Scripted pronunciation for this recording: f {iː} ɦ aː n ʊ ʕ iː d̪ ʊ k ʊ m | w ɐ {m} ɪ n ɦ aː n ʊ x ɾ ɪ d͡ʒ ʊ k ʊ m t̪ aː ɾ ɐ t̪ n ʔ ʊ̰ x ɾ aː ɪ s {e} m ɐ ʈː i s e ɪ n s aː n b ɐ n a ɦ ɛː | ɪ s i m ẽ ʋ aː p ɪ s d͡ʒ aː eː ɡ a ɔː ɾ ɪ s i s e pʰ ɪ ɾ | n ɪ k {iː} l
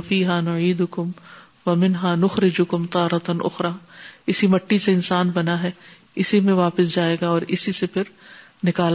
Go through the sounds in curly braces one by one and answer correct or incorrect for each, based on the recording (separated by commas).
correct, correct, incorrect, incorrect